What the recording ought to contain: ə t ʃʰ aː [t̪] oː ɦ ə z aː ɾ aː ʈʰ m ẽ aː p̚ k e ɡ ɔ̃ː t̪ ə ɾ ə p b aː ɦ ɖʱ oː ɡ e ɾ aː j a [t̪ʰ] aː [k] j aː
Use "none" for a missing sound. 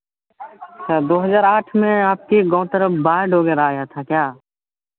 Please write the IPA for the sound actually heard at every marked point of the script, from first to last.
d̪, t̪ʰ, k

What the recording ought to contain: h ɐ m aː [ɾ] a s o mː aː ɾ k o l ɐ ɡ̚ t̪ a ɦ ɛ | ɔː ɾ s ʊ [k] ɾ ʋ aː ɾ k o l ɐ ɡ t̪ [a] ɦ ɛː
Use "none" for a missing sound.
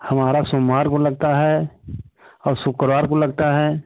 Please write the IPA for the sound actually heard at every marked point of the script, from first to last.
ɾ, k, a

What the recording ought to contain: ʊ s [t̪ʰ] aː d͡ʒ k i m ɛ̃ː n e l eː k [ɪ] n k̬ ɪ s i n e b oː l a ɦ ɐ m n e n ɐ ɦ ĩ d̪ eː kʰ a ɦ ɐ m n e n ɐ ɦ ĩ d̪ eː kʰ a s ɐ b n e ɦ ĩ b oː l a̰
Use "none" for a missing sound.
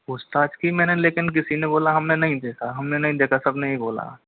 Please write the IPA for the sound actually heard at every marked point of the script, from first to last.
t̪, ɪ

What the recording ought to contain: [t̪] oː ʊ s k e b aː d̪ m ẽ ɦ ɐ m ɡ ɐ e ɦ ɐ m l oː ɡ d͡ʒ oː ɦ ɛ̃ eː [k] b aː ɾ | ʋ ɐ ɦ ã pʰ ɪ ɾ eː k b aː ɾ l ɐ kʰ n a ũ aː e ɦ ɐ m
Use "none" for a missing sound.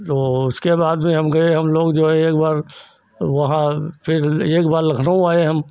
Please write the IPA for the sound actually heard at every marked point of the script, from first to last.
t̪, k

